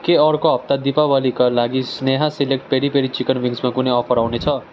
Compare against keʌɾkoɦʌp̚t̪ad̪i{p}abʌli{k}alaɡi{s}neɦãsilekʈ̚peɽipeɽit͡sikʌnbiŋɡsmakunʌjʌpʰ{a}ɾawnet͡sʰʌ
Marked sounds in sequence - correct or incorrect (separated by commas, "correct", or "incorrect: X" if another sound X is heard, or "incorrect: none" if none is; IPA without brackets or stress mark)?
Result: correct, correct, correct, incorrect: ʌ